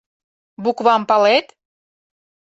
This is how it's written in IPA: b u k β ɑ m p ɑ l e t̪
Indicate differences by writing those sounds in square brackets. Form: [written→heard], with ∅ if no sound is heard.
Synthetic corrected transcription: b u k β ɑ m p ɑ l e t̪